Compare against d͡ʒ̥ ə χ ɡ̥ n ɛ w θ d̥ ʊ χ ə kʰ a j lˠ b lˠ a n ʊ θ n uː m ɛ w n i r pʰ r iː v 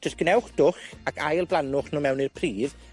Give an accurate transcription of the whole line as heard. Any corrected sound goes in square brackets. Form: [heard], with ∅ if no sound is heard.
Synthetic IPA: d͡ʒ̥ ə [s] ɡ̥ n ɛ w [χ] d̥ ʊ χ [a] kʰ a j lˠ b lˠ a n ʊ [χ] n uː m ɛ w n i r pʰ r iː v